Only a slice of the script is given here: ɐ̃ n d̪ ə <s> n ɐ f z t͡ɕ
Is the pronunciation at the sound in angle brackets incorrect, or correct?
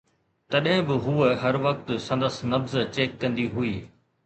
correct